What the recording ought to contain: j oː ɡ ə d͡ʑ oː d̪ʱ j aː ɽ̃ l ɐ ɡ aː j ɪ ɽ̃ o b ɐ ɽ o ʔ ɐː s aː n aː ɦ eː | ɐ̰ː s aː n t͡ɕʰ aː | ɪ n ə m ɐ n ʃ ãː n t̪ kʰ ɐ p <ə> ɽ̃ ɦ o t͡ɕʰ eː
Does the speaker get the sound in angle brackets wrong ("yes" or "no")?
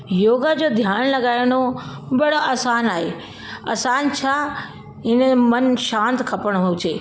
no